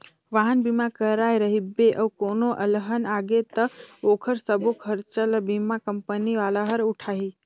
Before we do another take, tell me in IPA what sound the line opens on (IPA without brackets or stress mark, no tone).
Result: ʋ